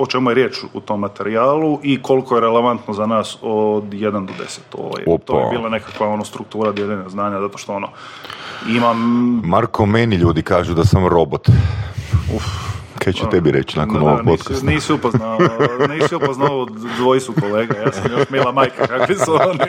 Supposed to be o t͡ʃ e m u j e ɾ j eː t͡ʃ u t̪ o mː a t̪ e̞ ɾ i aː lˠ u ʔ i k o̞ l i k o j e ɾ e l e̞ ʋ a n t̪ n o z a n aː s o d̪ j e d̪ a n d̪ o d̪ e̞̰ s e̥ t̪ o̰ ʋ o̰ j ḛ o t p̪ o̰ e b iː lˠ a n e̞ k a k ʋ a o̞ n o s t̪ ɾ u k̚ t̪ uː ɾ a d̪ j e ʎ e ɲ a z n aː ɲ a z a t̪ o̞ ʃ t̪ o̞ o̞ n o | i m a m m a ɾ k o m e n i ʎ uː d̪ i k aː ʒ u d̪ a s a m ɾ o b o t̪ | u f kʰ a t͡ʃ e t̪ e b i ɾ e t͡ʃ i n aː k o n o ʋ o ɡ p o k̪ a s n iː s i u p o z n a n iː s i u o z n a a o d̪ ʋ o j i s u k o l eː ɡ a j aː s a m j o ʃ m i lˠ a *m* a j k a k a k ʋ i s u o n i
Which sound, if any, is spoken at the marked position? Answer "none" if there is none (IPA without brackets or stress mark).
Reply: m